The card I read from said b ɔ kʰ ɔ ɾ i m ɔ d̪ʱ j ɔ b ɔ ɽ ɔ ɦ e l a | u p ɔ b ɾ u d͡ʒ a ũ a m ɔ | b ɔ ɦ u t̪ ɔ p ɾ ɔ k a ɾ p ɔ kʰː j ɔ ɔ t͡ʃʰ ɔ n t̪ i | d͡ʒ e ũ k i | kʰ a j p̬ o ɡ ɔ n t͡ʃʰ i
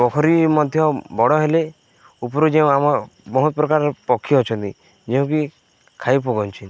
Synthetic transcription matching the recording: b ɔ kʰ ɔ ɾ i m ɔ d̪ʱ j ɔ b ɔ ɽ ɔ ɦ e l e | u p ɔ ɾ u d͡ʒ e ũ a m ɔ | b ɔ ɦ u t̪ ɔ p ɾ ɔ k a ɾ p ɔ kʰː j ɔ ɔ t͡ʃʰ ɔ n t̪ i | d͡ʒ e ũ k i | kʰ a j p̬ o ɡ ɔ n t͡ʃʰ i